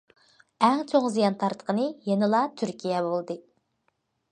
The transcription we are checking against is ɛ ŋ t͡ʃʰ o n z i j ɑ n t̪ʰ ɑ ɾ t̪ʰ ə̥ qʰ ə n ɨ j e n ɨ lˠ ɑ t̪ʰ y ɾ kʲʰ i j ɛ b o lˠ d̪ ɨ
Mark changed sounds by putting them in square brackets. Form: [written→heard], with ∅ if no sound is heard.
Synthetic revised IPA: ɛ ŋ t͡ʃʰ o [n→ŋ] z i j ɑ n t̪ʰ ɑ ɾ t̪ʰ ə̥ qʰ ə n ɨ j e n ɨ lˠ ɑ t̪ʰ y ɾ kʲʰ i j ɛ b o lˠ d̪ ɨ